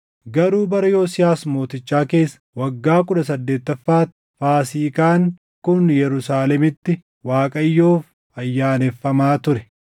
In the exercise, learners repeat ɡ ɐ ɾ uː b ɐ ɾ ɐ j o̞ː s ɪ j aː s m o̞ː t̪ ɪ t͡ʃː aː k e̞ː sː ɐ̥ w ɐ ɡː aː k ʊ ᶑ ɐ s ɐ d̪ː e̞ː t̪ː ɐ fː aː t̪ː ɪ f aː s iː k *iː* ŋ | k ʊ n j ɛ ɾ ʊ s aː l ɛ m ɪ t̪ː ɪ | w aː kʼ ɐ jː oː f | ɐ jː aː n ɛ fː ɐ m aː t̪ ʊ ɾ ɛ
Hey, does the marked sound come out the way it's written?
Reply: no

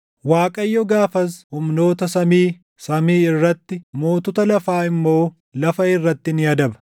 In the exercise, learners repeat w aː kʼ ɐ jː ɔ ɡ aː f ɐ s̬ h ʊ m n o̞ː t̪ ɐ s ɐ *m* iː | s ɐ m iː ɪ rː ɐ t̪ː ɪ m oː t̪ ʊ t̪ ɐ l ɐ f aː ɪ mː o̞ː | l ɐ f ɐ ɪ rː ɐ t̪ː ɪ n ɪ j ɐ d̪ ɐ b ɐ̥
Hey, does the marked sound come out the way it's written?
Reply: yes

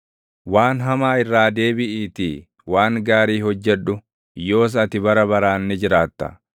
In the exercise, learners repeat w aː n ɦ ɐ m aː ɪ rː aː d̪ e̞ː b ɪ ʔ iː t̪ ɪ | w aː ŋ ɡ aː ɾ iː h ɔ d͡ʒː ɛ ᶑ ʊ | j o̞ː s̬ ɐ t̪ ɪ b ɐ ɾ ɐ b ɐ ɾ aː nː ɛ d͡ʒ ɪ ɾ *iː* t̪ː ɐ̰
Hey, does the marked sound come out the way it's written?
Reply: no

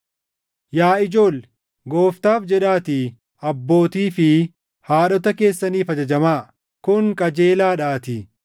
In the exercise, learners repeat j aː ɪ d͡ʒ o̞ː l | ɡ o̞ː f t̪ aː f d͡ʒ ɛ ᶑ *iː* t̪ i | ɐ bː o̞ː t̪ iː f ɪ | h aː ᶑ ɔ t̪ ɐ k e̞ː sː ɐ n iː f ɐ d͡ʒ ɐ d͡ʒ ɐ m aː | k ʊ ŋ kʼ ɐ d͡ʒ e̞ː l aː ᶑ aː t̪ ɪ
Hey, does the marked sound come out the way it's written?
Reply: no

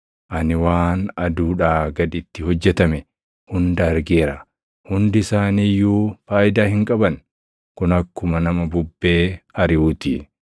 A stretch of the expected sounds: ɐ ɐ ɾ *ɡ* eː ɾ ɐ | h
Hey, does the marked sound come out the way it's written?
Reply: yes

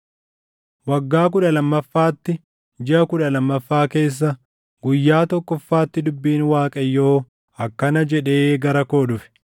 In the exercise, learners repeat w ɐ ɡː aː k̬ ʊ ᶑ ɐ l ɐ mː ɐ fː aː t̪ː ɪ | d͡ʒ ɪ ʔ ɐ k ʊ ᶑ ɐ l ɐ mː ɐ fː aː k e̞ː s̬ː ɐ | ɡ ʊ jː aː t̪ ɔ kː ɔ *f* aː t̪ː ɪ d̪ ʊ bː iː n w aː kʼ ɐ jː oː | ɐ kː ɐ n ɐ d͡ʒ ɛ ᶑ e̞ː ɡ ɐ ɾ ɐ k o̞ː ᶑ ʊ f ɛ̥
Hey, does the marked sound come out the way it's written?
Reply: no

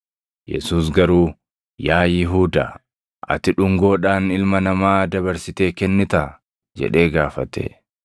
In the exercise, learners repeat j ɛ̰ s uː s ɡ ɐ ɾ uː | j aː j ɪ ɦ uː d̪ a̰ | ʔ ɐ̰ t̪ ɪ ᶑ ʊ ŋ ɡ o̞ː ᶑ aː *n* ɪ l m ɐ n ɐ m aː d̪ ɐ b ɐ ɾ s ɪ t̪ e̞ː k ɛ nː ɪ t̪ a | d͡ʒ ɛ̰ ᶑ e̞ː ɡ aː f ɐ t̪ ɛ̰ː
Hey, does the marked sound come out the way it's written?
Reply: yes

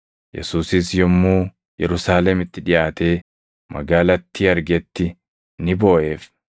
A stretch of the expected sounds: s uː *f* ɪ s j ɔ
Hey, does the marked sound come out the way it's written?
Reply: no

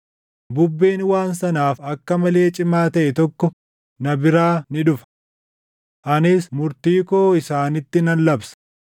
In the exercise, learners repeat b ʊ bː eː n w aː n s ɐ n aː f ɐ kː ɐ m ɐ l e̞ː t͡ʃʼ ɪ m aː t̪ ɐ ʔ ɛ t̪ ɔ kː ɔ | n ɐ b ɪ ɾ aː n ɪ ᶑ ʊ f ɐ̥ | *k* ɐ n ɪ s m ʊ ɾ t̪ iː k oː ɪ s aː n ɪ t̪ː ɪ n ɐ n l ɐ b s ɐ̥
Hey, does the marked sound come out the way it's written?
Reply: no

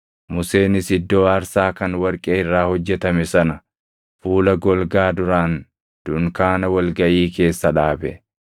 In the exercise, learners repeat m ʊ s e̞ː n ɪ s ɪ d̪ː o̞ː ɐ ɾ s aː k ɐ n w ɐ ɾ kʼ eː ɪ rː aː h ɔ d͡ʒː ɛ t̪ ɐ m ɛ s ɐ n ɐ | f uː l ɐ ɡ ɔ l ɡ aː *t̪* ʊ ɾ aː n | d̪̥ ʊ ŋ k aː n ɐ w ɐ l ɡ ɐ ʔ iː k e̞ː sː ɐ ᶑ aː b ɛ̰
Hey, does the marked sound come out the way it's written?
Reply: no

